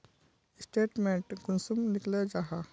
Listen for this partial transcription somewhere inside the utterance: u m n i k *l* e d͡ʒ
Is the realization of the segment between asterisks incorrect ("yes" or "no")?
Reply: no